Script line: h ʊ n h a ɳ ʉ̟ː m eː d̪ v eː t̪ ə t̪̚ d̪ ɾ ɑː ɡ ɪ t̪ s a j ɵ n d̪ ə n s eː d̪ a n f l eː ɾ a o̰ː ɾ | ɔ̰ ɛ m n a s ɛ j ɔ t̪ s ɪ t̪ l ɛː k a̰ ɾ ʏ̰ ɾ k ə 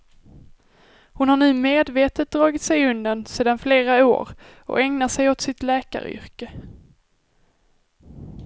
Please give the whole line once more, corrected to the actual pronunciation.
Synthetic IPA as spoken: h ʊ n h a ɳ ʉ̟ː m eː d̪ v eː t̪ ə t̪̚ d̪ ɾ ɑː ɡ ɪ t̪ s ɛ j ɵ n d̪ ə n s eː d̪ a n f l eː ɾ a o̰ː ɾ | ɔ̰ ɛ ŋ n a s ɛ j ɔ t̪ s ɪ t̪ l ɛː k a̰ ɾ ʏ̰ ɾ k ə